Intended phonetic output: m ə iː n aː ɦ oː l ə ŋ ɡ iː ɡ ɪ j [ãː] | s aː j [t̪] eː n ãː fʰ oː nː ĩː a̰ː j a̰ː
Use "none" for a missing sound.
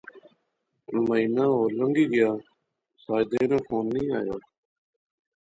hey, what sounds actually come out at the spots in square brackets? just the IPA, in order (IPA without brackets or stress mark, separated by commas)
aː, d̪